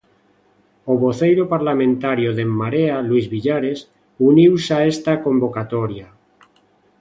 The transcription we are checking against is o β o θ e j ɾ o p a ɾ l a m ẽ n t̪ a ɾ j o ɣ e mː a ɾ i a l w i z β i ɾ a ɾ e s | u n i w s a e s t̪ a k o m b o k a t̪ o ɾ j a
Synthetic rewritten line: o β o θ e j ɾ o p a ɾ l a m ẽ n t̪ a ɾ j o ð e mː a ɾ e a l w i z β i ʎ a ɾ e s | u n i w s a e s t̪ a k o m b o k a t̪ o ɾ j a